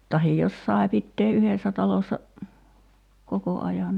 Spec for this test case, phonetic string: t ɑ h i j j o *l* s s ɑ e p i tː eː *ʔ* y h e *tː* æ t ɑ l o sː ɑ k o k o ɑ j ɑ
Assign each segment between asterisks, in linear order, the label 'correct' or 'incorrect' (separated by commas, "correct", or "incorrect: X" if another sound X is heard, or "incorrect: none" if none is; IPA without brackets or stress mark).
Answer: incorrect: none, correct, incorrect: sː